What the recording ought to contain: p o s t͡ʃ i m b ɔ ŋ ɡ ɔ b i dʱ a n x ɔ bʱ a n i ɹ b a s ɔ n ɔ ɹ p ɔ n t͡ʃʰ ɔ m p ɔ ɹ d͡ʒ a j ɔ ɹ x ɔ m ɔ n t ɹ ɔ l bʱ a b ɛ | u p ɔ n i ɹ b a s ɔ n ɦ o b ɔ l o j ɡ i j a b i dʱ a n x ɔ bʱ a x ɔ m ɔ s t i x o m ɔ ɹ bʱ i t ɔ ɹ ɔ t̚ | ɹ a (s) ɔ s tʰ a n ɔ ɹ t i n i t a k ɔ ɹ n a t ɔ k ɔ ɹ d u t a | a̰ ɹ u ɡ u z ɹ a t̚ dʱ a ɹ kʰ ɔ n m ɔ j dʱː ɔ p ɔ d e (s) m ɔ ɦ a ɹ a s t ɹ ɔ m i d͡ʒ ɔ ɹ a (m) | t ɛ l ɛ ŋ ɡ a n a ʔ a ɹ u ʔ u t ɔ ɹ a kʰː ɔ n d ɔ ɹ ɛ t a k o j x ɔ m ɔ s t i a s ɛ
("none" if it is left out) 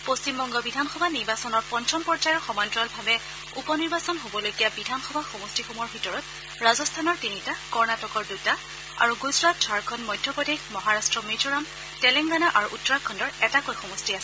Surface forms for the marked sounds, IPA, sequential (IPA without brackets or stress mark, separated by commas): z, x, m